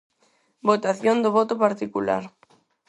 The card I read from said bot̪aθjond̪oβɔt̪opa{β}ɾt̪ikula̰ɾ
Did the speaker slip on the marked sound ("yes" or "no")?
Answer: yes